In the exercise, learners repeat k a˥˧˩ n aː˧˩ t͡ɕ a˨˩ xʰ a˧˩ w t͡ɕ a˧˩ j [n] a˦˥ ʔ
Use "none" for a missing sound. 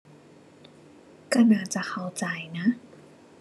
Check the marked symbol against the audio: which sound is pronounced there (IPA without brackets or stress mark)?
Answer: n